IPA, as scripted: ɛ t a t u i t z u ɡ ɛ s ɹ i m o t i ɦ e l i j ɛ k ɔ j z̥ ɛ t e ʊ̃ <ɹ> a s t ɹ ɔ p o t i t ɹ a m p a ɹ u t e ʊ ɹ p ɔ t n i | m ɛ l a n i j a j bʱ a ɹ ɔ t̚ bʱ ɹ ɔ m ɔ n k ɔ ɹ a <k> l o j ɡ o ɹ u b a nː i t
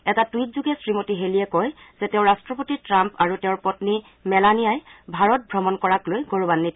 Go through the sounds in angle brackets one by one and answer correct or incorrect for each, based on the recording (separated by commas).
correct, correct